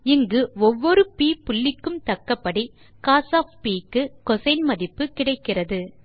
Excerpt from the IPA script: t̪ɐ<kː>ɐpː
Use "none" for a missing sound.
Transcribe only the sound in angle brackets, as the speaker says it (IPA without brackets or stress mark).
kː